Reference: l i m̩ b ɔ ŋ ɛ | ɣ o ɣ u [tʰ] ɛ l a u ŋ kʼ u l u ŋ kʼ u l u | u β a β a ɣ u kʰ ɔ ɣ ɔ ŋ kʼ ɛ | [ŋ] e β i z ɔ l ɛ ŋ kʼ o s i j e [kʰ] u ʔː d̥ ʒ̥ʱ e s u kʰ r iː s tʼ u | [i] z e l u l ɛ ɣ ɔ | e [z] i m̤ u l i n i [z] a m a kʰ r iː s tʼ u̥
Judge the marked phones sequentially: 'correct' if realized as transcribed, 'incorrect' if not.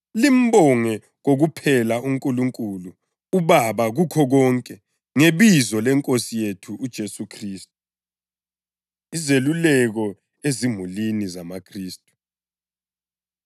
incorrect: pʰ, correct, incorrect: tʰ, correct, correct, correct

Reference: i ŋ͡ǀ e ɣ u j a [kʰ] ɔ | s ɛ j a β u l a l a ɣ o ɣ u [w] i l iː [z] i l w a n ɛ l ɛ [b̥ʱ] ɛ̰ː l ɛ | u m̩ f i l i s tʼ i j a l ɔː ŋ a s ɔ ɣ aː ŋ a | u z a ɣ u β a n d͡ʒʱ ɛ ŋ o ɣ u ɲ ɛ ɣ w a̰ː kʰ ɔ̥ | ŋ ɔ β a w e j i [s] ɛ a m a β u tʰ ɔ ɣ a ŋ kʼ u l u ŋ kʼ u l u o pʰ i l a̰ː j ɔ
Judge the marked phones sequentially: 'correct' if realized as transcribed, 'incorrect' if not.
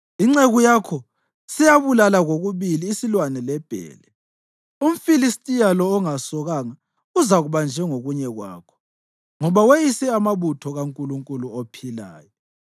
correct, incorrect: β, incorrect: s, correct, correct

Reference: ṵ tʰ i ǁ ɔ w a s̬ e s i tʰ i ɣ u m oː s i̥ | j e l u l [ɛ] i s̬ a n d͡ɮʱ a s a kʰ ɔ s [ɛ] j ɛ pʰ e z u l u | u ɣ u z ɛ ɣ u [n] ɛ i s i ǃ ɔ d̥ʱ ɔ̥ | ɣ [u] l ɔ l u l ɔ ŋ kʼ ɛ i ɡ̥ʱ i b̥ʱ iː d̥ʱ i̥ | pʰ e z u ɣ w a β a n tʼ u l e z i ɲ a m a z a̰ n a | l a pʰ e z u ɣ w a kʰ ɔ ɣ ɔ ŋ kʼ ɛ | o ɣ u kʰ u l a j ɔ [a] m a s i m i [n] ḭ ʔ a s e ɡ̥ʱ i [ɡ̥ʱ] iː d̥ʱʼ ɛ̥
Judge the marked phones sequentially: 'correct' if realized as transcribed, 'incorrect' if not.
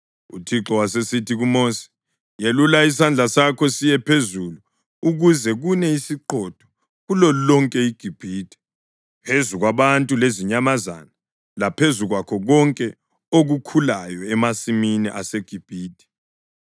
incorrect: a, incorrect: i, correct, correct, incorrect: ɛ, correct, incorrect: b̥ʱ

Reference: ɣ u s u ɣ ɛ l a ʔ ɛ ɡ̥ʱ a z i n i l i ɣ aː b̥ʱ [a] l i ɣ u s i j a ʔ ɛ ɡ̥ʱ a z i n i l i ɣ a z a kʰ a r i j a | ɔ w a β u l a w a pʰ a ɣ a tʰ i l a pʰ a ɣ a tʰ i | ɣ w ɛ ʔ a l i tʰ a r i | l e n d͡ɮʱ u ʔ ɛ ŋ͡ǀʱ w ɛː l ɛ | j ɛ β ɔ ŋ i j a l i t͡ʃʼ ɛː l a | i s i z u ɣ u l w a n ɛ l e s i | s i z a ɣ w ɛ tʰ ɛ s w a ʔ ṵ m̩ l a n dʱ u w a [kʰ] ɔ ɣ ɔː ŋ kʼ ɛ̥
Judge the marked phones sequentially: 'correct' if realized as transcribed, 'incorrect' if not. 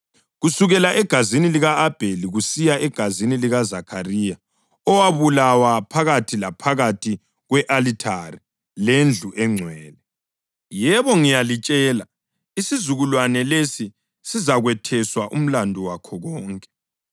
incorrect: e, correct

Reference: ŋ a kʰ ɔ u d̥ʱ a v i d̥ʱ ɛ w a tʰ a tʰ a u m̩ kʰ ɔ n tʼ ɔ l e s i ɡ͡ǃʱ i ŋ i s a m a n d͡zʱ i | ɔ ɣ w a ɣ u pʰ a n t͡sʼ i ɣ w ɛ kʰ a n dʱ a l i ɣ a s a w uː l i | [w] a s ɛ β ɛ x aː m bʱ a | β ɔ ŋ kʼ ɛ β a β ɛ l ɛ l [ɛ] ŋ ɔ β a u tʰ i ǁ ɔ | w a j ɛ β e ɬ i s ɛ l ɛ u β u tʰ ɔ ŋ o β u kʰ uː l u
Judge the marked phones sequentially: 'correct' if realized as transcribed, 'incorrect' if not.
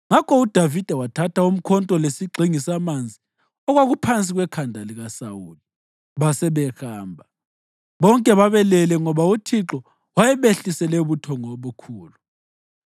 incorrect: β, correct

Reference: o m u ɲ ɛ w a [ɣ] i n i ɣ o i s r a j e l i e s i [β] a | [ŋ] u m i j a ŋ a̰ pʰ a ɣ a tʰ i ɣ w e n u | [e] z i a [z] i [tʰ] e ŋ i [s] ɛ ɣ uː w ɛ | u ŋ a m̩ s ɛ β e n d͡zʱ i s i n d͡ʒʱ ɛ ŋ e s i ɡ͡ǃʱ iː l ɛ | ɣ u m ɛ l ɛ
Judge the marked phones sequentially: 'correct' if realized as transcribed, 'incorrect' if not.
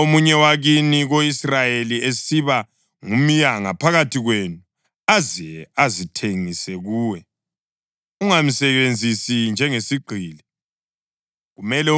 correct, correct, correct, incorrect: a, correct, correct, correct

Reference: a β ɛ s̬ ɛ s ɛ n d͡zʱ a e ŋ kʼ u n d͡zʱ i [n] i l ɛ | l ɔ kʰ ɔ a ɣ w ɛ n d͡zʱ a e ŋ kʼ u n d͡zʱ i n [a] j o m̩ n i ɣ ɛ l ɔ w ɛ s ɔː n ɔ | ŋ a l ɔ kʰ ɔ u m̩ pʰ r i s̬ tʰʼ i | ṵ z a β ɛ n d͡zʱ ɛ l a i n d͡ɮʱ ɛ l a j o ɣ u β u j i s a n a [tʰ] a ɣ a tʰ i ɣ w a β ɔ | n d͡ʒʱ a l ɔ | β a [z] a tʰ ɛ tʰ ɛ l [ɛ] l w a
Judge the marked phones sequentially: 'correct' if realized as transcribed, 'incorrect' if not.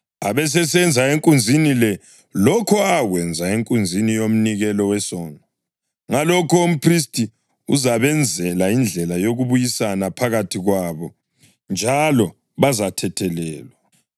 correct, incorrect: i, incorrect: pʰ, correct, incorrect: ɛː

